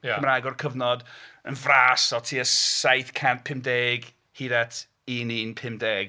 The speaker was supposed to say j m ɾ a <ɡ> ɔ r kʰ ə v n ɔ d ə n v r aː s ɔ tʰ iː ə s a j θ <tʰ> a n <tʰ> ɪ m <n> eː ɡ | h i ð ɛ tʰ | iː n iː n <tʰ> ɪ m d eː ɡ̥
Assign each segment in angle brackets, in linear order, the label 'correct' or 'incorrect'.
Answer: correct, incorrect: kʰ, incorrect: pʰ, incorrect: d, incorrect: pʰ

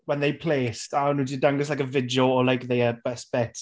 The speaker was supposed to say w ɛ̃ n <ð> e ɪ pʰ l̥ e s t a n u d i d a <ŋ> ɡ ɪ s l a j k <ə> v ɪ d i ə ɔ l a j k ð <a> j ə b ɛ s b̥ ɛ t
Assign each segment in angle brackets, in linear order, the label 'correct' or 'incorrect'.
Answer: correct, correct, correct, incorrect: e

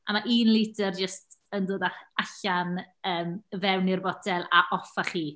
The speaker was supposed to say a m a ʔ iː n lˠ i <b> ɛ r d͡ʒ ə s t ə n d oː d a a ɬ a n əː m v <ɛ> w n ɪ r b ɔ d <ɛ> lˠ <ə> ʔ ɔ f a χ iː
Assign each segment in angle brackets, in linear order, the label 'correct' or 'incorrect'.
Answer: incorrect: d, correct, correct, incorrect: a

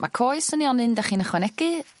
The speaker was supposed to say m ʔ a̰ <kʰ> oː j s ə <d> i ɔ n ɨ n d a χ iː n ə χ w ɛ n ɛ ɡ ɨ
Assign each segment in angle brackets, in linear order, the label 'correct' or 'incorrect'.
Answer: correct, incorrect: n

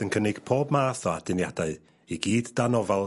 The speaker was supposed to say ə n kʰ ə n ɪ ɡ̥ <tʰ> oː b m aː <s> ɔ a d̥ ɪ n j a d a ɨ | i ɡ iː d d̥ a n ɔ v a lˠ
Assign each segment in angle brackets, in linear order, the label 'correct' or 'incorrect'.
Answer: incorrect: pʰ, incorrect: θ

